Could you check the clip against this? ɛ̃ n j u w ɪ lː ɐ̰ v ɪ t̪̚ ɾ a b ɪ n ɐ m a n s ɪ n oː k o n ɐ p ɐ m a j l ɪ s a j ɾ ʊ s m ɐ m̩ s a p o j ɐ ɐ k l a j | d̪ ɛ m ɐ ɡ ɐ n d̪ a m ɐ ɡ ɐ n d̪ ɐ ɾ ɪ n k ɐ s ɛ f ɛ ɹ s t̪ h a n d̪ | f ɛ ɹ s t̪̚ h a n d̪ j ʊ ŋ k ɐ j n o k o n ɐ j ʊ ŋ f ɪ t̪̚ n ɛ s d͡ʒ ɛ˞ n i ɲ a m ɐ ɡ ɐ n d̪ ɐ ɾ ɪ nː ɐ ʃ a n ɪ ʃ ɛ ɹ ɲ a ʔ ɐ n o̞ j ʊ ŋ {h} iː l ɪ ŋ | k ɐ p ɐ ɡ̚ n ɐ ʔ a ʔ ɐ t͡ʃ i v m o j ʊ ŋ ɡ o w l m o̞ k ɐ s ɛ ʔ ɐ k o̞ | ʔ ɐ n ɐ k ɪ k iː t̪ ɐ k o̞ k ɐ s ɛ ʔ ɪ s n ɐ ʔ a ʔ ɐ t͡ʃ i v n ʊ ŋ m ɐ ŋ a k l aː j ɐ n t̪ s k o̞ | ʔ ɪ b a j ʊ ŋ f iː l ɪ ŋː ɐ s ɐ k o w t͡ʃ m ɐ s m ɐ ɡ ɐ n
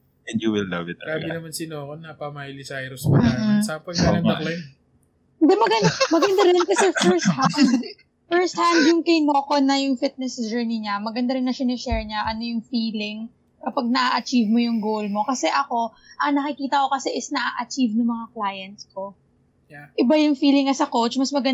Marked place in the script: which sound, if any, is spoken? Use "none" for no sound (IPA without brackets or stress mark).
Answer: f